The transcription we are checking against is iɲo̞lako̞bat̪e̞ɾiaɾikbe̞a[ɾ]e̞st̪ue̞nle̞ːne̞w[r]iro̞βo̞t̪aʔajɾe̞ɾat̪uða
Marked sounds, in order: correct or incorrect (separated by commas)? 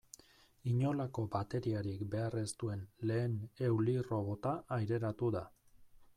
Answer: incorrect, incorrect